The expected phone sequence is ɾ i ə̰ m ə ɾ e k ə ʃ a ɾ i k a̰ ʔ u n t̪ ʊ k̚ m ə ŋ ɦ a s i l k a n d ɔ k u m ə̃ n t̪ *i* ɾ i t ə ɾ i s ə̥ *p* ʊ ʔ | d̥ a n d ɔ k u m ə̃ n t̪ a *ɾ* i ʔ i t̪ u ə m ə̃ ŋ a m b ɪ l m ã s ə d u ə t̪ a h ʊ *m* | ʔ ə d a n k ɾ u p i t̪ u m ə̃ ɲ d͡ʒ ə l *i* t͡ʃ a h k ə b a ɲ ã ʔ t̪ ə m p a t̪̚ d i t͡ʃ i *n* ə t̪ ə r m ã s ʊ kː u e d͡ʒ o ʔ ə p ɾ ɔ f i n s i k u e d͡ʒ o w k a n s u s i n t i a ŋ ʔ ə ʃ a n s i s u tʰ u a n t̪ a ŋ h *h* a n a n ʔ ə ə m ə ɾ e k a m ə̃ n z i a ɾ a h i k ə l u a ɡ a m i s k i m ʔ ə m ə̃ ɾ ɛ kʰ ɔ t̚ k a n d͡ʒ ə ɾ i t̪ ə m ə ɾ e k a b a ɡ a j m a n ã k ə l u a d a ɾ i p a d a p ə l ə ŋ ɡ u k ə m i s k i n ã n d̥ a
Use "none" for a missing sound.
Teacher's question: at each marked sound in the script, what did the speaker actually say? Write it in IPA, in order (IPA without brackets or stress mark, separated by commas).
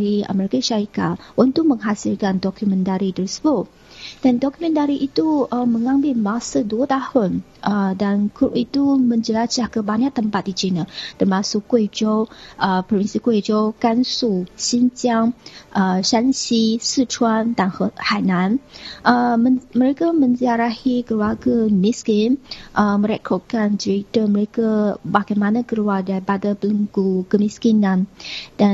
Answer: a, b, ɾ, n, a, n, h